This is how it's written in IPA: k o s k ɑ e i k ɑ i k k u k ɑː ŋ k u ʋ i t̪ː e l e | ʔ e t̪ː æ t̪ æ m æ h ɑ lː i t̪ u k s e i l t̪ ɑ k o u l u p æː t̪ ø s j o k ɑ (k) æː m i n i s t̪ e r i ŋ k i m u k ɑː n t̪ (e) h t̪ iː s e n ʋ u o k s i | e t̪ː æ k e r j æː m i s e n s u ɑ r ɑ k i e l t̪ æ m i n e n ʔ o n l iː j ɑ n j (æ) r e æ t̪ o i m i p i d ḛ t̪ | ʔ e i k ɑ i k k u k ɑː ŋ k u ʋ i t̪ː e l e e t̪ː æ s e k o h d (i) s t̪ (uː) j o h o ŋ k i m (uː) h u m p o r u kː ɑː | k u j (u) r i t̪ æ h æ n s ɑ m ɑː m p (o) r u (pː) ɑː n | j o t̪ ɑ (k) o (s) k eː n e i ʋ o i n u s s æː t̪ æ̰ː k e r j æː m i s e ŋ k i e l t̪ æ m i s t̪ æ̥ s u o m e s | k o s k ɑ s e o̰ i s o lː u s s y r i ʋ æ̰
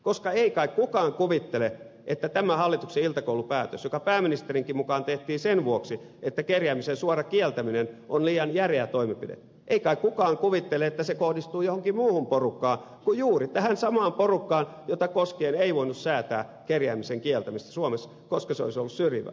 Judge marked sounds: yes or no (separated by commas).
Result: no, yes, yes, yes, yes, yes, no, yes, no, yes, yes